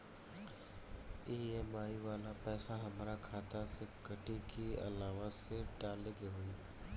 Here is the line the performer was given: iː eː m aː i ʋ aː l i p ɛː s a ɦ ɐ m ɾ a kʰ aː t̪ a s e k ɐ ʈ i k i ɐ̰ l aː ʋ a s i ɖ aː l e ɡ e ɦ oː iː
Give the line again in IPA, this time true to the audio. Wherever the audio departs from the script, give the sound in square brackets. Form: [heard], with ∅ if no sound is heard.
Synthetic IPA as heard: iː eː m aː i ʋ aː l [a] p ɛː s a ɦ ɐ m ɾ a kʰ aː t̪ a s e k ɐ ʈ i k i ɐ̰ l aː ʋ a s [e] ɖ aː l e ɡ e ɦ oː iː